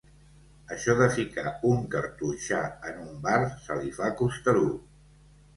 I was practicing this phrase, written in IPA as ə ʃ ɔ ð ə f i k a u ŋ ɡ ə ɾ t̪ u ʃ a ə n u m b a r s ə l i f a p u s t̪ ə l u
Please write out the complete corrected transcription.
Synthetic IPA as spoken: ə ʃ ɔ ð ə f i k a u ŋ k ə ɾ t̪ u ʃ a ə n u m b a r s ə l i f a k u s t̪ ə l u